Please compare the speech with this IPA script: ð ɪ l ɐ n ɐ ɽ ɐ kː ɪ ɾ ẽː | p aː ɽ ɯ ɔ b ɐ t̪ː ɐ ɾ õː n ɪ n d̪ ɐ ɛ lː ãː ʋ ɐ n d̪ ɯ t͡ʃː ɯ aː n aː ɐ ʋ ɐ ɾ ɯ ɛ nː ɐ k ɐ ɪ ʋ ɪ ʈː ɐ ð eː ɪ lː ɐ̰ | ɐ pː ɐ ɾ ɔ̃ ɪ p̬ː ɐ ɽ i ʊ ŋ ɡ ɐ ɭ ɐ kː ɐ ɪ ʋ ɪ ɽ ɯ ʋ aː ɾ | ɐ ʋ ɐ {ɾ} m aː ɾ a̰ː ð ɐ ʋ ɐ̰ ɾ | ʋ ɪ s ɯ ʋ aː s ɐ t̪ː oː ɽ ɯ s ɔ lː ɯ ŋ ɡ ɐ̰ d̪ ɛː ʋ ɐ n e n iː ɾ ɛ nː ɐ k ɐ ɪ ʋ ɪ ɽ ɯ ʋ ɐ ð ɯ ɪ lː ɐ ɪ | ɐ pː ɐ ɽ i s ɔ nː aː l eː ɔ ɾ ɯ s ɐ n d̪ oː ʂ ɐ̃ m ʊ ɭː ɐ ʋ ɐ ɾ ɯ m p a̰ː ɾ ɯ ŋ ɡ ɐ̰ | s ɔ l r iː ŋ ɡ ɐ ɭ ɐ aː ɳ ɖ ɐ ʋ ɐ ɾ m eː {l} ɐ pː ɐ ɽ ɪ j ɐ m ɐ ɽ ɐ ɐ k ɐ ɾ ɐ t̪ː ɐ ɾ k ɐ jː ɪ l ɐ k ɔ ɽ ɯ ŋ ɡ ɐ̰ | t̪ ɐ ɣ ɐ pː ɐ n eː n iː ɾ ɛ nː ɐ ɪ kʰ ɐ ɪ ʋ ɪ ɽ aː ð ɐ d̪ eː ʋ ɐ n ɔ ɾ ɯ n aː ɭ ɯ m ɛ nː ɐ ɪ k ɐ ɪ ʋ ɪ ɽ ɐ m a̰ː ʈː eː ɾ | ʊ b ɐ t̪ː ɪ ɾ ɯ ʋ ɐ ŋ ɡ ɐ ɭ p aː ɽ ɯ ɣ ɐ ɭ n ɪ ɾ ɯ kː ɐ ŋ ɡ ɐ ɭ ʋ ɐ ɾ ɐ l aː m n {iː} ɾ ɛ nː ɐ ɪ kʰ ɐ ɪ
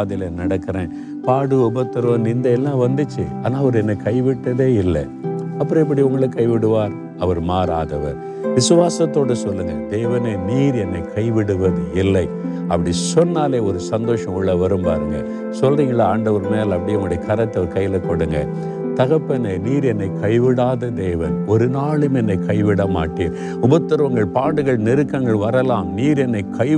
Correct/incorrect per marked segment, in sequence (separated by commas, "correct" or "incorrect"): correct, correct, correct